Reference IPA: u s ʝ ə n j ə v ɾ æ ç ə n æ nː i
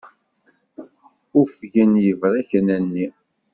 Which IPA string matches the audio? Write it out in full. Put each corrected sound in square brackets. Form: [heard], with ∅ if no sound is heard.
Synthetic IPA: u [f] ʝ ə n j ə v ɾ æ ç ə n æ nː i